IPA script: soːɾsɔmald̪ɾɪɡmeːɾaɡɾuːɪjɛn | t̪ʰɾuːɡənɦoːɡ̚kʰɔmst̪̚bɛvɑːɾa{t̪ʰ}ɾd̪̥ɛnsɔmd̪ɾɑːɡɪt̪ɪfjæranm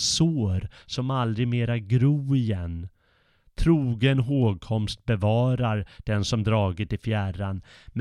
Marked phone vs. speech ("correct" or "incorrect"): incorrect